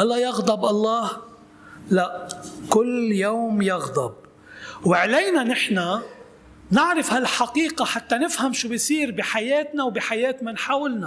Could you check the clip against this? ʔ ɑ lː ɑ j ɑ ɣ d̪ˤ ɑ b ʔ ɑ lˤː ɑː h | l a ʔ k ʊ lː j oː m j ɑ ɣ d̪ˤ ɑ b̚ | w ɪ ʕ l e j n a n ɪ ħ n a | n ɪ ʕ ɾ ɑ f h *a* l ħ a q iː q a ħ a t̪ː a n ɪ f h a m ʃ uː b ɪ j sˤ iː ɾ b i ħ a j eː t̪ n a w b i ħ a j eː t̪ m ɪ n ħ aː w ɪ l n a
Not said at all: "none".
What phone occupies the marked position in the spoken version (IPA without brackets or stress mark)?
a